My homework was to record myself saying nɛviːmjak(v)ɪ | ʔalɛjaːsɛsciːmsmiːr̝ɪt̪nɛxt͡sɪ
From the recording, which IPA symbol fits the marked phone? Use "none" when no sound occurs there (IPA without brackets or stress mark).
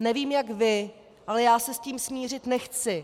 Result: v